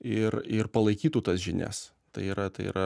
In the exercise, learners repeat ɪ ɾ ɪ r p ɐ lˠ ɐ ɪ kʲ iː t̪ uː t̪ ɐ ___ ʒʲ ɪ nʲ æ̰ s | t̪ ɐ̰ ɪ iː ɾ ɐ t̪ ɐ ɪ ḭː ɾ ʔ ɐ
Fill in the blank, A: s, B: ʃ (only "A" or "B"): A